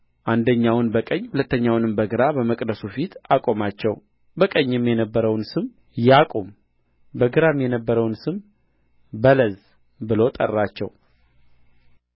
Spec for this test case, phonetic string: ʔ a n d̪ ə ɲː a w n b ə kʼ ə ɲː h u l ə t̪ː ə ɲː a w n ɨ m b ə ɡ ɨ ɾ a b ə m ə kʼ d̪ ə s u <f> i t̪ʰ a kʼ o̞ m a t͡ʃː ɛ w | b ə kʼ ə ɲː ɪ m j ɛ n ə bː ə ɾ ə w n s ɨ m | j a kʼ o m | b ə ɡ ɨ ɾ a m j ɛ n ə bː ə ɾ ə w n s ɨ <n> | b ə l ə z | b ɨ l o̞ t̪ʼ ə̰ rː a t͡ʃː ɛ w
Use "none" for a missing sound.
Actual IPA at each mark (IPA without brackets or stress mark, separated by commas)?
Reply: f, m